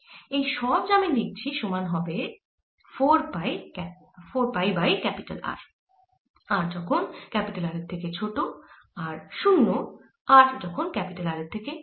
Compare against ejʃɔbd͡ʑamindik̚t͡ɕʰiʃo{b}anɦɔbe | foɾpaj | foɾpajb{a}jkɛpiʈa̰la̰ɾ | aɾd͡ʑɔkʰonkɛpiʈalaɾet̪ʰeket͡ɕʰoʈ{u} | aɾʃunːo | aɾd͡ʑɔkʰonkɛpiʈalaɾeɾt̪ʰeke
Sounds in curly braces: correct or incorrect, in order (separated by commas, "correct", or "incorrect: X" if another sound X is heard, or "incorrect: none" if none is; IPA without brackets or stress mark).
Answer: incorrect: m, correct, incorrect: o